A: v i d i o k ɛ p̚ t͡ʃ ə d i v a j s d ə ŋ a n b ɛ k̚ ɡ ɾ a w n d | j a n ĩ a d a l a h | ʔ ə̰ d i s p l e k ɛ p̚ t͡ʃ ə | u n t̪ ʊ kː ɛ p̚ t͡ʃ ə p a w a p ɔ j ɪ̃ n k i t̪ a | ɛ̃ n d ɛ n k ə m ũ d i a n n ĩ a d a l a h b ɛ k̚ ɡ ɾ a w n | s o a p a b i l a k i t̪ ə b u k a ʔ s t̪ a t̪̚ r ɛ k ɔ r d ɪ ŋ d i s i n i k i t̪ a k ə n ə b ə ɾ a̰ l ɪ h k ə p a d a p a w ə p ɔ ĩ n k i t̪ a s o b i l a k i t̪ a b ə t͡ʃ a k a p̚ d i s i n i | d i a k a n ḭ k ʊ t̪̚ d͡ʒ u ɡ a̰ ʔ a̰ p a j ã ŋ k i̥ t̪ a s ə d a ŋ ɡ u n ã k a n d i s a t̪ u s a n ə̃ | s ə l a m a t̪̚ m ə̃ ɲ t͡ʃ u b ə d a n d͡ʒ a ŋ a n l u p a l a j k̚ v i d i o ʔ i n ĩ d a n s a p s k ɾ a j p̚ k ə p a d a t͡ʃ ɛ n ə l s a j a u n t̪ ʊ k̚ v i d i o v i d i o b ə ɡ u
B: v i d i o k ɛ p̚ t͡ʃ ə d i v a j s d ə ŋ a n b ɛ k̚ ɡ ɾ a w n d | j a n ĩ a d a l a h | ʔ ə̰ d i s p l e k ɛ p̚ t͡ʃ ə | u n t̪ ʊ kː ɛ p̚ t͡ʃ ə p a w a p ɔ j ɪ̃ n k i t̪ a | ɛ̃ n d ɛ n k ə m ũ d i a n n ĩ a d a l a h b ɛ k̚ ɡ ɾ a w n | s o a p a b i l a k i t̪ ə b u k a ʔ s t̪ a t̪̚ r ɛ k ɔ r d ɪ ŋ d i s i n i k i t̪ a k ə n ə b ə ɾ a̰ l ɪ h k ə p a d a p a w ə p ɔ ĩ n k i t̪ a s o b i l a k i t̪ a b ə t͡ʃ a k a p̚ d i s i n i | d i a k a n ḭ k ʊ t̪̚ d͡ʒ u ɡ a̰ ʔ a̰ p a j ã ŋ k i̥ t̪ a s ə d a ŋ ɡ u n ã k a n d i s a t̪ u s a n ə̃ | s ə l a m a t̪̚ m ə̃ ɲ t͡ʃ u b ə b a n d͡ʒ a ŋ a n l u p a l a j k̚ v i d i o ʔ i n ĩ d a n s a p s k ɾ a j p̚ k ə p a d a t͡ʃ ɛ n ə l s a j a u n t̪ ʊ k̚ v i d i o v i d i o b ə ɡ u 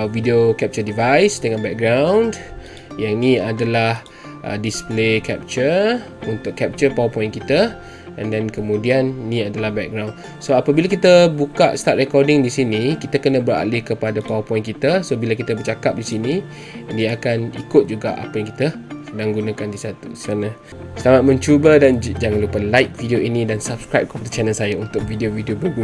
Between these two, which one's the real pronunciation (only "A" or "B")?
A